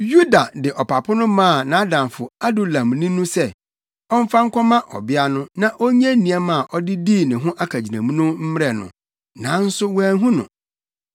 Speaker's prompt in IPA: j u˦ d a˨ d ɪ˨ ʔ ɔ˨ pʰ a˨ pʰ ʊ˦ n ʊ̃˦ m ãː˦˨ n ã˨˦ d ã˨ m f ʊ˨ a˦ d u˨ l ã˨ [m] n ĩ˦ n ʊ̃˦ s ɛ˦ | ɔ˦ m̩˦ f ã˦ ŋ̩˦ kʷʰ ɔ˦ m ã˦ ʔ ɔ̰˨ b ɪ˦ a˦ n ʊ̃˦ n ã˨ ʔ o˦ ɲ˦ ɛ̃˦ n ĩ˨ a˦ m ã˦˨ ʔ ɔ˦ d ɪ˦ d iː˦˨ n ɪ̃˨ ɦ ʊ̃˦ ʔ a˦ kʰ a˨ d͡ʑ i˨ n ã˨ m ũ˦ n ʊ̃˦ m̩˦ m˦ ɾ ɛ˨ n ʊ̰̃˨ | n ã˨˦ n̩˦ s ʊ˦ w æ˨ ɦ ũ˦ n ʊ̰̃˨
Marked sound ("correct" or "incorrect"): correct